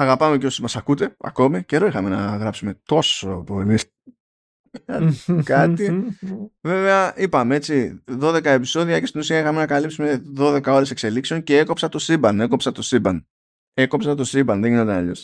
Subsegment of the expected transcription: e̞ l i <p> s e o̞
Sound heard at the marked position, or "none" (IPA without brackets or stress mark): k